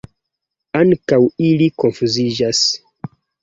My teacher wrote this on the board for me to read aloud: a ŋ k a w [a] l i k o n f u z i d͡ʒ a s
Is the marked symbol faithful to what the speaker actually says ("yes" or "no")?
no